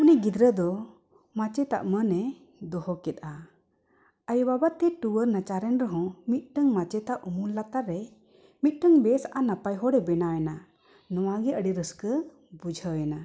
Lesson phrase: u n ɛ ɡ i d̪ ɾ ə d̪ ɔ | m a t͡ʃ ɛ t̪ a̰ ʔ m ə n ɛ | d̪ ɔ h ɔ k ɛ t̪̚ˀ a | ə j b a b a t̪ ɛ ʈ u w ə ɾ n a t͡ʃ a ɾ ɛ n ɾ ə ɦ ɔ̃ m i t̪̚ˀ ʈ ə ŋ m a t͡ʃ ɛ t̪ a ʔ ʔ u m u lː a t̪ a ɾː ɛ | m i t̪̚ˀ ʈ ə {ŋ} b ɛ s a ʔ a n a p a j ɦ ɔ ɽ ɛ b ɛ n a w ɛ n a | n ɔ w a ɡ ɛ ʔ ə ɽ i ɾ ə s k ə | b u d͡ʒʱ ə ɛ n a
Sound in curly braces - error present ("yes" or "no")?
no